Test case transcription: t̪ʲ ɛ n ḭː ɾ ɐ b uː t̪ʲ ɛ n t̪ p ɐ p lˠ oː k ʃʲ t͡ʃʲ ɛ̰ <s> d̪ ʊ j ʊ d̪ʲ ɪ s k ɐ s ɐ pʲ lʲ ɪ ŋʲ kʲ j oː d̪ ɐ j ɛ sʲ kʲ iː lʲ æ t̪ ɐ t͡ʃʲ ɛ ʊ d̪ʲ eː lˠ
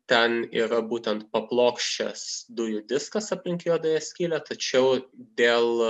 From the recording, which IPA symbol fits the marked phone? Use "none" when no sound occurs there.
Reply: s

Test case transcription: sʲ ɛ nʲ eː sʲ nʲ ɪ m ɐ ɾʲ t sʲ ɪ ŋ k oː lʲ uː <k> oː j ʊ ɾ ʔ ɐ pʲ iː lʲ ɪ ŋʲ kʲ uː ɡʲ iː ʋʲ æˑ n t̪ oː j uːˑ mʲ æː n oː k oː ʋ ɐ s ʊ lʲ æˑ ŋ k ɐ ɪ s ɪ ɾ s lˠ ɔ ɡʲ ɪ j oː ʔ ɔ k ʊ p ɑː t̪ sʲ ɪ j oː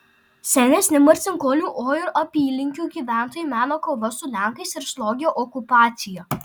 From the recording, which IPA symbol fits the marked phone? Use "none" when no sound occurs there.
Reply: ʔ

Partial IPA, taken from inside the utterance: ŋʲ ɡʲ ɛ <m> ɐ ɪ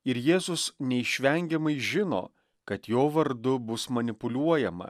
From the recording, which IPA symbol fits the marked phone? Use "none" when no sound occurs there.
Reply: m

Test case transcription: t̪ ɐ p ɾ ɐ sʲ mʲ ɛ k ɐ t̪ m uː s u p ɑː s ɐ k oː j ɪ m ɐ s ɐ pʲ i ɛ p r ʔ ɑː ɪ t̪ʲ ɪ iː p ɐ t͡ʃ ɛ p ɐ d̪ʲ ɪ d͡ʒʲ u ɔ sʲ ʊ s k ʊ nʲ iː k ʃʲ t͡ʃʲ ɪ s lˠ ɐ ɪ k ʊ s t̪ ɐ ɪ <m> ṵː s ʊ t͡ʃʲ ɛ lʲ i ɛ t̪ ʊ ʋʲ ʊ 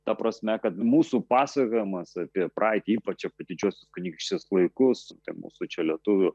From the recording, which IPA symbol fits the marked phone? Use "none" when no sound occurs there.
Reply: m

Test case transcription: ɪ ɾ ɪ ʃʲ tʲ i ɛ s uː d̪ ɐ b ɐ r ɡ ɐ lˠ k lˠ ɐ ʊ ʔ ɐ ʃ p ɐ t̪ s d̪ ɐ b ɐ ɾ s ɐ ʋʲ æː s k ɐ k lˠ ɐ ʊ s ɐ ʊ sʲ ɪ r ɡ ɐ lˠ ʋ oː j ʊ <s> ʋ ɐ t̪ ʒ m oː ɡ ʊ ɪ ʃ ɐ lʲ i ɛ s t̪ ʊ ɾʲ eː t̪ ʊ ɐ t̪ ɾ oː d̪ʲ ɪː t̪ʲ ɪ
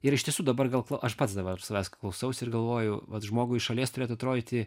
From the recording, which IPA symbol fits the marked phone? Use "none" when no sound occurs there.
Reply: none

